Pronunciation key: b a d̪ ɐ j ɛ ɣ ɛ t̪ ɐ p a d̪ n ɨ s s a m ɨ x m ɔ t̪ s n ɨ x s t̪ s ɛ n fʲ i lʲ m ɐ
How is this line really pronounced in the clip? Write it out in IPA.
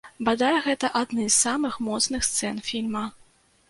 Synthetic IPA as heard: b a d̪ a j ɛ ɣ ɛ t̪ ɐ ʔ a d̪ n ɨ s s a m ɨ x m ɔ t̪ s n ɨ x s t̪ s ɛ n fʲ i lʲ m ɐ